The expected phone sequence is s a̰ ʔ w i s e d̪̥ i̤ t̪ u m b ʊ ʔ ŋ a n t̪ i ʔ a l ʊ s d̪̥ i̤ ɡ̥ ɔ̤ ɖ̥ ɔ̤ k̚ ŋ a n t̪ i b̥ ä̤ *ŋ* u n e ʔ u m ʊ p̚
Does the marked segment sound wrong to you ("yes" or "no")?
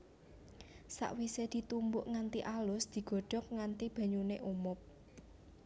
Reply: yes